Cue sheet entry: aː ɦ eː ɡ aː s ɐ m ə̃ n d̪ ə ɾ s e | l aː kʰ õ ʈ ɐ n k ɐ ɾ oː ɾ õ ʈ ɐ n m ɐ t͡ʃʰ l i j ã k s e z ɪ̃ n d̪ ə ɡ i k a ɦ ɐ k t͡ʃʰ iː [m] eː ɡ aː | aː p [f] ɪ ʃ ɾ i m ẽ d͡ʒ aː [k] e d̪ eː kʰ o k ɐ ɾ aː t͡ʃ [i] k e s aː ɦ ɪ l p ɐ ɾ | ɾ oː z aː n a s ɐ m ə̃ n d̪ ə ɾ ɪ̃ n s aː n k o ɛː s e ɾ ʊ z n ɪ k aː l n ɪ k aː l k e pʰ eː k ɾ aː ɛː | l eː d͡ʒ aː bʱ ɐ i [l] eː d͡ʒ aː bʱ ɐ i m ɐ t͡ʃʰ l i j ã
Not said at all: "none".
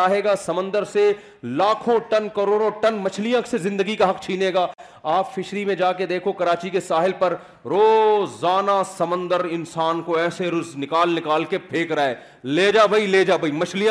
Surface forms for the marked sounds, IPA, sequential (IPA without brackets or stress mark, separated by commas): n, f, k, i, l